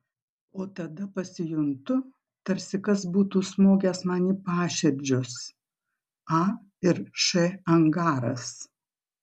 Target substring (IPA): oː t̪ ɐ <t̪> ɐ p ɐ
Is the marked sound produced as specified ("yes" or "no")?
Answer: no